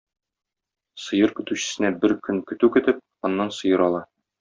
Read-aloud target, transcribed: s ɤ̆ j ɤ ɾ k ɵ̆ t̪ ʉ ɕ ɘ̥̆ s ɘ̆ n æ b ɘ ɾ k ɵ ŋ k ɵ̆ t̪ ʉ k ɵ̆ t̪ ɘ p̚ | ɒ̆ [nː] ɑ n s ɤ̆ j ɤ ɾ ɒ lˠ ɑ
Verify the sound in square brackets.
correct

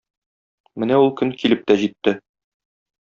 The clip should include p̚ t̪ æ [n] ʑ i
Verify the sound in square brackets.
incorrect: none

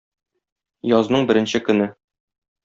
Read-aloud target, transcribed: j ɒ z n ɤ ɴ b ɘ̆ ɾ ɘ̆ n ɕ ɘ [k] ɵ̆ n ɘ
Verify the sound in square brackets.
correct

